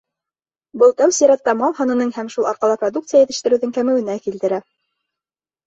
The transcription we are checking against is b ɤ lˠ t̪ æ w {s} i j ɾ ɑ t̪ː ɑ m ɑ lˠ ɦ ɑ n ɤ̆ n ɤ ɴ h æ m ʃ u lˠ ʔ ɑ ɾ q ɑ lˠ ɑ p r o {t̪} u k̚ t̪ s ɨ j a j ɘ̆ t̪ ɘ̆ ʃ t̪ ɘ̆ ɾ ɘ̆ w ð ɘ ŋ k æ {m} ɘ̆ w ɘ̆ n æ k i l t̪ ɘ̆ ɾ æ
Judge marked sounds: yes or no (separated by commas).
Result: yes, no, yes